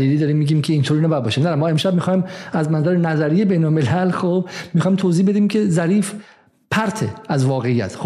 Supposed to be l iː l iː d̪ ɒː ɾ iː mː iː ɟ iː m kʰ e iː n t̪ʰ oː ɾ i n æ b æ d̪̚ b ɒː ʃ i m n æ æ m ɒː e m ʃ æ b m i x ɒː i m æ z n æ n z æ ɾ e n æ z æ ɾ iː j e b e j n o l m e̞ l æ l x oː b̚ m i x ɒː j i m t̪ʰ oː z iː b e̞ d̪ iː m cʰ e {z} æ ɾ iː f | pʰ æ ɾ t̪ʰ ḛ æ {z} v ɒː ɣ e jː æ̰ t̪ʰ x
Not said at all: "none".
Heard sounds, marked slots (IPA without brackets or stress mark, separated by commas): z, z